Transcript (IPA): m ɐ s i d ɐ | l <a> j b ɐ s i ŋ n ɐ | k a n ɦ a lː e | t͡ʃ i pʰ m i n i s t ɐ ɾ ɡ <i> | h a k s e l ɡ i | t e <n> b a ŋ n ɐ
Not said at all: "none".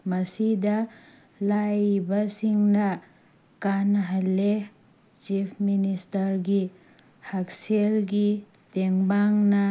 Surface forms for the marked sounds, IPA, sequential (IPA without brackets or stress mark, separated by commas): a, i, ŋ